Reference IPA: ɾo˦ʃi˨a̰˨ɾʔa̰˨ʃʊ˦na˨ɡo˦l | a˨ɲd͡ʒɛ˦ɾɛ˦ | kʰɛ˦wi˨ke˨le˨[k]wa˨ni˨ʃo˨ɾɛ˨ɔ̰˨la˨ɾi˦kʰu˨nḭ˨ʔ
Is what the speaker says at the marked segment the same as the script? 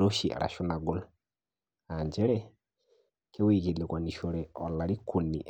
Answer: yes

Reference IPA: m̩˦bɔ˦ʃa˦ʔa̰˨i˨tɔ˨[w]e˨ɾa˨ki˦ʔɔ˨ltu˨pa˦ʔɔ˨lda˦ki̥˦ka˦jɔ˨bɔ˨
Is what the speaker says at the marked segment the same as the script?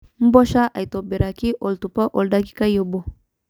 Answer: no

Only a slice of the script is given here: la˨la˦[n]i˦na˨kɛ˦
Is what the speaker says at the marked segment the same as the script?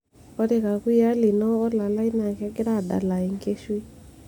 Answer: no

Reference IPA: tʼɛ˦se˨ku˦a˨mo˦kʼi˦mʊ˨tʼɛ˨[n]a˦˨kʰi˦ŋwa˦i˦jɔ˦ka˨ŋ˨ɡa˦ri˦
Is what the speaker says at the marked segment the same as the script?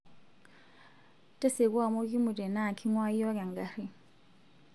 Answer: yes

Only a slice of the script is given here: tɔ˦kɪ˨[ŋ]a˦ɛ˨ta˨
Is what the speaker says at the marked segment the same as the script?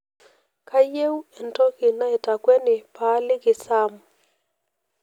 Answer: no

